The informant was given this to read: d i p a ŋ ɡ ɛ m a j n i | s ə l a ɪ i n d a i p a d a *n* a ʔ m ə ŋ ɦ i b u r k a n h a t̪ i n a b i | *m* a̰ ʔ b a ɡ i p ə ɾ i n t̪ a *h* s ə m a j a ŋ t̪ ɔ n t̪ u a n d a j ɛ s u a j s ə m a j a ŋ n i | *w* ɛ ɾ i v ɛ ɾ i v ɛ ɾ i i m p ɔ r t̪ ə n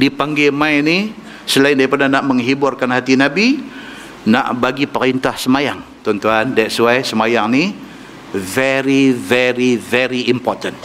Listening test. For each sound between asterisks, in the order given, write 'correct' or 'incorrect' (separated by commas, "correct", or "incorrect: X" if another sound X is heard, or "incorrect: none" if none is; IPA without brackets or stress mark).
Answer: correct, incorrect: n, correct, incorrect: v